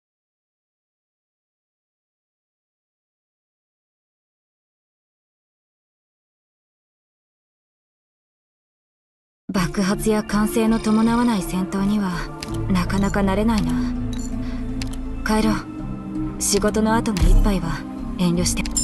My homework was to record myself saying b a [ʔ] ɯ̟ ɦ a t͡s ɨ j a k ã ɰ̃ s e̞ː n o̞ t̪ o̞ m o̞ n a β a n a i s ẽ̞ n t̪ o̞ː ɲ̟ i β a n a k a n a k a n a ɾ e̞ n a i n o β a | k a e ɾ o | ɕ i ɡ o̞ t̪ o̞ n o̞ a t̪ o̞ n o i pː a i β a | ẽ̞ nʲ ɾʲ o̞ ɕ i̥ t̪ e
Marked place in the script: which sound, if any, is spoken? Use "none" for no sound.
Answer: k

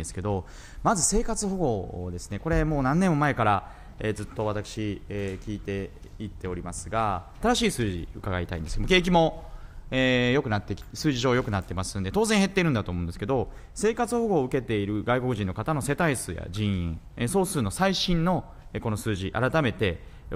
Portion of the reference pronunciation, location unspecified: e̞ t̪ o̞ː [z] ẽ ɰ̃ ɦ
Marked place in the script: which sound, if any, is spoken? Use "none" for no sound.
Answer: z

